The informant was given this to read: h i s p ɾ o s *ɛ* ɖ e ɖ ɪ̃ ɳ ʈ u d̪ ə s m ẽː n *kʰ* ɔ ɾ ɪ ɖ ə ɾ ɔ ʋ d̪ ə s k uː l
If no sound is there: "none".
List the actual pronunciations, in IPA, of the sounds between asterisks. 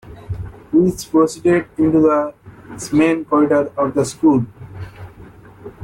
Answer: i, k

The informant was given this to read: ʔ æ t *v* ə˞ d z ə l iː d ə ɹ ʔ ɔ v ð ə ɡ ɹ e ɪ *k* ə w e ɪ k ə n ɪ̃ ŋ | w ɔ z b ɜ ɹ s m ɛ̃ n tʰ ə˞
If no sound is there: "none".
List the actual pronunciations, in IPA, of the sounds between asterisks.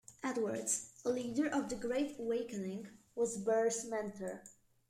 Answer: w, t

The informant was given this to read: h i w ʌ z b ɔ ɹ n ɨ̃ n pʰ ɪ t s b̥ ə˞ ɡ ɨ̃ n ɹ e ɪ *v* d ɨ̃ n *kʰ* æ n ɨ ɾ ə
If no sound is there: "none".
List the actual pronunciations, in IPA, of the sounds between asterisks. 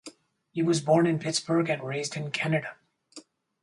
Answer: z, kʰ

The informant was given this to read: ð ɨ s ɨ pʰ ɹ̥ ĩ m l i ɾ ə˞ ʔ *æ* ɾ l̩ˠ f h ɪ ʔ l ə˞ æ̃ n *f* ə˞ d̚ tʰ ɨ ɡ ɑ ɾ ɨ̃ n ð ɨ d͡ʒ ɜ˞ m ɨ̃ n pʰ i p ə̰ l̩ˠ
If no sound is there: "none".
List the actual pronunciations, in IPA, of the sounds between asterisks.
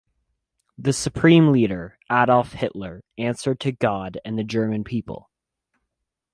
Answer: æ, s

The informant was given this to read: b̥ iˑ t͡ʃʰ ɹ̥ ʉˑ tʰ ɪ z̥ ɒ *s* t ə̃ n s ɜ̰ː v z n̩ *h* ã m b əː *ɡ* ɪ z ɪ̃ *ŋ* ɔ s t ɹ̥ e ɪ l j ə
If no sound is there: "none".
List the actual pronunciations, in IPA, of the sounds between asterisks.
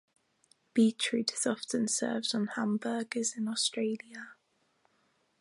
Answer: f, h, ɡ, n

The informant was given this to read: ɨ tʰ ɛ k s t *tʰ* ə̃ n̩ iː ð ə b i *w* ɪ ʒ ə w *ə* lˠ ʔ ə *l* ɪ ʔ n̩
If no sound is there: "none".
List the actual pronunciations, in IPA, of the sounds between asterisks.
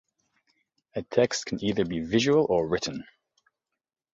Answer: kʰ, v, ə, ɹ

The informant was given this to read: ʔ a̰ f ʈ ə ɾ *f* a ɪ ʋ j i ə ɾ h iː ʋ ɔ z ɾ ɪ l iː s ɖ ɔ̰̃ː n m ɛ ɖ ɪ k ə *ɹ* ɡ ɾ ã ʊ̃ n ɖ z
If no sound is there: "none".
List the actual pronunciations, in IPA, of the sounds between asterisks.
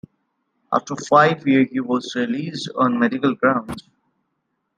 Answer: f, l

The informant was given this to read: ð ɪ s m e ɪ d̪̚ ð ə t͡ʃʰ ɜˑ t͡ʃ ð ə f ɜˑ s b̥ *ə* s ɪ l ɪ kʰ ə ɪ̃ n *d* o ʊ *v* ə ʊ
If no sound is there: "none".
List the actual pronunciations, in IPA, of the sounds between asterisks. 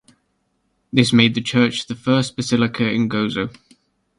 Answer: ə, ɡ, z

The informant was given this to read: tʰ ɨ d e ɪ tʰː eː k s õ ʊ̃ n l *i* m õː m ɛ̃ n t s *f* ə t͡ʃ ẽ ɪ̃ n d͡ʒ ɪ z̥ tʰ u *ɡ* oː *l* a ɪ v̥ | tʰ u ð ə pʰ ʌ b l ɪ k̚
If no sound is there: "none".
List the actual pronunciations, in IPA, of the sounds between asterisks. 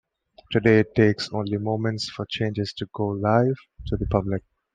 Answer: i, f, ɡ, l

